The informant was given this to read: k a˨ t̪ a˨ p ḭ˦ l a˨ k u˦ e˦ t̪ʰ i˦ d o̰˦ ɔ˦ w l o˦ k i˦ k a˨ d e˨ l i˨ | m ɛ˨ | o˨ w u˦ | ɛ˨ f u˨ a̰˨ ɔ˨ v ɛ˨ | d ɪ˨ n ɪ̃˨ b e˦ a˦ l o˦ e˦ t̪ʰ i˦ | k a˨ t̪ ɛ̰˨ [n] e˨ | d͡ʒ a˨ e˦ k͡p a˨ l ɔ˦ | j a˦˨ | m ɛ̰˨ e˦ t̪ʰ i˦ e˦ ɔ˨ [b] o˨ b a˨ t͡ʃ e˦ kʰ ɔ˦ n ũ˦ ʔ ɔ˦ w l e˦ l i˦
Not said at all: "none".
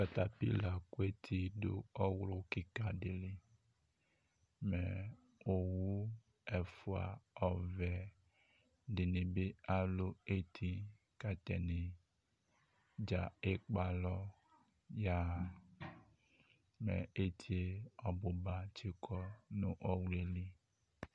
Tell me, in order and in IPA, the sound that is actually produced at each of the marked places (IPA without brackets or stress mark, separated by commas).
n, b